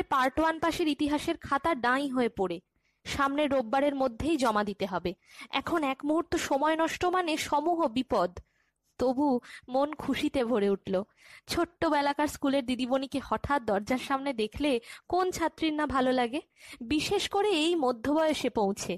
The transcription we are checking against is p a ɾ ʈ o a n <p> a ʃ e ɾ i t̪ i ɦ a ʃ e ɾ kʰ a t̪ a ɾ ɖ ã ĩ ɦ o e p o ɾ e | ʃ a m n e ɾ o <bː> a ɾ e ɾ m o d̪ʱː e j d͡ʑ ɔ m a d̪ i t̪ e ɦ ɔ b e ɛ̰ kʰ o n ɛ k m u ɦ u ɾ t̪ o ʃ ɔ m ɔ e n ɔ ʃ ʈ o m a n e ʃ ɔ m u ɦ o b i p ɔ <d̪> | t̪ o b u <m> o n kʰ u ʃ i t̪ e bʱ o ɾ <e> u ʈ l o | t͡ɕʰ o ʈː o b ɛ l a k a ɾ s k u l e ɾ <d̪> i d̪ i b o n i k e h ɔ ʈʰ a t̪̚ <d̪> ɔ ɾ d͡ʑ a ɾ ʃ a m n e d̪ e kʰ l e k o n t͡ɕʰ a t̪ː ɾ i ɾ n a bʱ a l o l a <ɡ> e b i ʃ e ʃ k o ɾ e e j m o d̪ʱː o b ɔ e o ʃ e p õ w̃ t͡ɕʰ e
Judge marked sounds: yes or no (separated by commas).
yes, yes, yes, yes, yes, yes, yes, yes